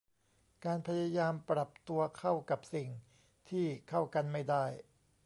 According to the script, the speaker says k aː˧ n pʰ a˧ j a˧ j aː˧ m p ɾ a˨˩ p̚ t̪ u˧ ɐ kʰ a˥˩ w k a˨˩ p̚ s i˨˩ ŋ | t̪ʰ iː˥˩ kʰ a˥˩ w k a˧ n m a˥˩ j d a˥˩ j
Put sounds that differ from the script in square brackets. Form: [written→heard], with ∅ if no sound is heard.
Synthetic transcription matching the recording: k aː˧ n pʰ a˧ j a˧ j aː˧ m p ɾ a˨˩ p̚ t̪ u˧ ɐ kʰ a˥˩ w k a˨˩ p̚ s i˨˩ ŋ | t̪ʰ iː˥˩ kʰ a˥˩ w k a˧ n m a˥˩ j d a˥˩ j